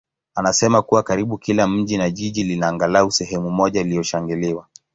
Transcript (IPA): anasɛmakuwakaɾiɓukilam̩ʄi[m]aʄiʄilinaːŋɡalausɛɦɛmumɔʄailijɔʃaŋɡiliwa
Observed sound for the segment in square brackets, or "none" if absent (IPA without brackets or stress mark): n